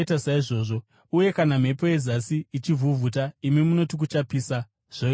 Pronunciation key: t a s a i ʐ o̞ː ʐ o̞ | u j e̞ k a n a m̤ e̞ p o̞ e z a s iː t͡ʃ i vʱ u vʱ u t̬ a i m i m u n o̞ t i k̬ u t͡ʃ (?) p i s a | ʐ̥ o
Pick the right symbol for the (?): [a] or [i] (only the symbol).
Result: a